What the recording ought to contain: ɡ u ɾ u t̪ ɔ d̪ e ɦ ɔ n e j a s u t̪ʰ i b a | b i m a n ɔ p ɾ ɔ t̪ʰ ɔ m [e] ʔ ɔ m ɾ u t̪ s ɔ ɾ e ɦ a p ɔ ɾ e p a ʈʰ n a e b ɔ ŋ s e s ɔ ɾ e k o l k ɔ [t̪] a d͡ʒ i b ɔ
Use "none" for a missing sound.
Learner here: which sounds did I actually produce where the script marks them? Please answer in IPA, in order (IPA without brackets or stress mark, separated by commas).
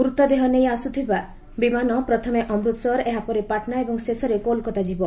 e, t̪